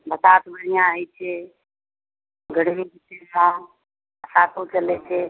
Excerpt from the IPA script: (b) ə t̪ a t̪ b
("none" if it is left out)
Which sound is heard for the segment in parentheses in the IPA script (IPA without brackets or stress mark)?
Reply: b